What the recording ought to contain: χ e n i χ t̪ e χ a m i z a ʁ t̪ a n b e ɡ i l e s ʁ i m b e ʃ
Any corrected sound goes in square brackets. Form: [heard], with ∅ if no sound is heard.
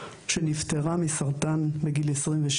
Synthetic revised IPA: [ʃ] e n i [f] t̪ e [ʁ] a m i [s] a ʁ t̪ a n b e ɡ i l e s ʁ i m [v] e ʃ